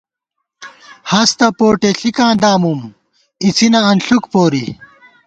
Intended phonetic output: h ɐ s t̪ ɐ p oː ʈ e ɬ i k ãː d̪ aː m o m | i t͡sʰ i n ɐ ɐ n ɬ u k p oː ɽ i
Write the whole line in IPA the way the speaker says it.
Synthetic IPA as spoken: h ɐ s t̪ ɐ p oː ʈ e ɬ i k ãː d̪ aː m u m | i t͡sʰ i n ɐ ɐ n ɬ u k p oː ɾ i